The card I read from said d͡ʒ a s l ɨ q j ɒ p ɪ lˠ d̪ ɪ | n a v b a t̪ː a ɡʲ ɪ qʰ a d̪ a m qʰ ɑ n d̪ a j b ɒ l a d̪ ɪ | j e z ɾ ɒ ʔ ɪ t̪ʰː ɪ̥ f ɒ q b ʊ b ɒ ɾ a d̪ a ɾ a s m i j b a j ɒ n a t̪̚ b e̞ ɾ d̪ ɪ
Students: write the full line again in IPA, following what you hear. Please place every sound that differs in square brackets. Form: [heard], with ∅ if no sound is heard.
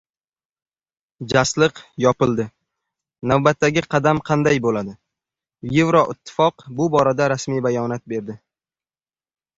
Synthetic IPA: d͡ʒ a s l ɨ q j ɒ p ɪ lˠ d̪ ɪ | n a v b a t̪ː a ɡʲ ɪ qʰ [ɑ] d̪ a m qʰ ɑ n d̪ a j b [o] l a d̪ ɪ | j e [v] ɾ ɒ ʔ ɪ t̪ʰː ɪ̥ f ɒ q b ʊ b ɒ ɾ a d̪ a ɾ a s m i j b a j ɒ n a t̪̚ b e̞ ɾ d̪ ɪ